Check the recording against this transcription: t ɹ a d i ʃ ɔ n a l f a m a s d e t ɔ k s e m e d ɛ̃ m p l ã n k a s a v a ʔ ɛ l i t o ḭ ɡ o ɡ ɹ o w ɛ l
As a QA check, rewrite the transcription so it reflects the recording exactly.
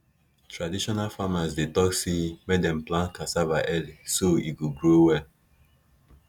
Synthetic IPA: t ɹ a d i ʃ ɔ n a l f a m a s d e t ɔ k s e m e d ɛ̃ m p l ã n k a s a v a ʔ ɛ l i s o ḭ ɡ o ɡ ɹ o w ɛ l